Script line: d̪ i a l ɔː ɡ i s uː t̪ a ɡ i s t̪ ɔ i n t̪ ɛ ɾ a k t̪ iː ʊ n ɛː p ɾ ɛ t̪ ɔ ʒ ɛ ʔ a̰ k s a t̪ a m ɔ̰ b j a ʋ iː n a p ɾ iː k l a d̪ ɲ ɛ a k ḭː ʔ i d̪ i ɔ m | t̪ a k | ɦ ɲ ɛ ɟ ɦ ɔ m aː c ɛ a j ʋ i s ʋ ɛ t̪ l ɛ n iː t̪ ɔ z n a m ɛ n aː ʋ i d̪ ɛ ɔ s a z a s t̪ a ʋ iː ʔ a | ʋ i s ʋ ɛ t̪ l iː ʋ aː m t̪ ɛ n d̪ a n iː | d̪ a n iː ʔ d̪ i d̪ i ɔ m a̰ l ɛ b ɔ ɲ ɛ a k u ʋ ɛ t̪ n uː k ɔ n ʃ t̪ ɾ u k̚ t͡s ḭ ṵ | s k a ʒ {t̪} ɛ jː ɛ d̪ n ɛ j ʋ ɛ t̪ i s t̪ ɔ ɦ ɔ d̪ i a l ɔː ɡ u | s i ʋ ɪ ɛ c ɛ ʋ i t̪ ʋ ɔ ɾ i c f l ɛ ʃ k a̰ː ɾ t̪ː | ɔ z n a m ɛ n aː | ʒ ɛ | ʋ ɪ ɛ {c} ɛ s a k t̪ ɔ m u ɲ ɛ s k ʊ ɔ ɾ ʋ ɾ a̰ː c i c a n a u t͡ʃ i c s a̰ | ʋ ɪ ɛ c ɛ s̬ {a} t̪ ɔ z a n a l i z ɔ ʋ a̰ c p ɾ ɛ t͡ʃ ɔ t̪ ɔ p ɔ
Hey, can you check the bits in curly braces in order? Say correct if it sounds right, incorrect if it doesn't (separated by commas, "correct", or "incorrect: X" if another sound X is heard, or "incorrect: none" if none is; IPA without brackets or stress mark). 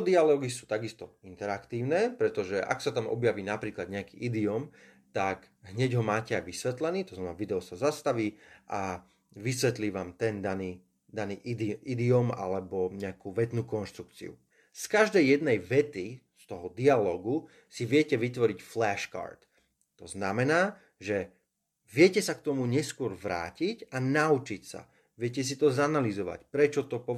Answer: incorrect: d̪, correct, incorrect: i